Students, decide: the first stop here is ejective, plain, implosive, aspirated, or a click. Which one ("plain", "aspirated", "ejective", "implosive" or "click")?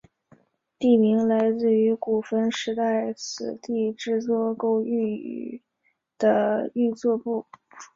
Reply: plain